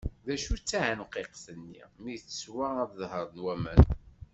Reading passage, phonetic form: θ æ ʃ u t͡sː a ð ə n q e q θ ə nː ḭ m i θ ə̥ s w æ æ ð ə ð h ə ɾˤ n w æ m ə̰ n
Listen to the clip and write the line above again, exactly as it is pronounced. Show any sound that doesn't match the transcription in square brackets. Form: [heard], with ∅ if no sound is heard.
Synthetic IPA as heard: [ð] æ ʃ u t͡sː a [ʕ] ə n q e q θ ə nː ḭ m i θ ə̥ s w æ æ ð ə ð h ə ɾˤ n w æ m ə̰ n